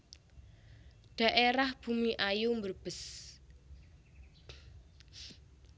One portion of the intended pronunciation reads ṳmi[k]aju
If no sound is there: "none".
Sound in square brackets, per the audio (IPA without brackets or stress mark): ʔ